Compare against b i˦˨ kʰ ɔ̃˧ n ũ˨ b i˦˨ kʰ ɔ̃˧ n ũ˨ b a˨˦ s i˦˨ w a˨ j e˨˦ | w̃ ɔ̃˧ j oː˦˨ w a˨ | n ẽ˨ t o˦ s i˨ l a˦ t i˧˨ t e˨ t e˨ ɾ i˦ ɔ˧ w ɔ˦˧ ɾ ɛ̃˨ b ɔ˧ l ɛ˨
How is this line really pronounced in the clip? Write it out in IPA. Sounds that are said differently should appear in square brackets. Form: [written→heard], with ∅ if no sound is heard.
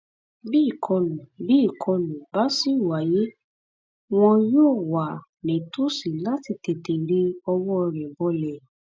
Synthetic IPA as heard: b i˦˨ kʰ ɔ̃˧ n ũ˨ b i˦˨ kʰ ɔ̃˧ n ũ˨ b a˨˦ s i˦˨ w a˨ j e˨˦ | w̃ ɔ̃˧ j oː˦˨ w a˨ | n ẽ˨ t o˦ s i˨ l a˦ t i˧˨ t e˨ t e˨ ɾ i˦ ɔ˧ w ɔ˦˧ ɾ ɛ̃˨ b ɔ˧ l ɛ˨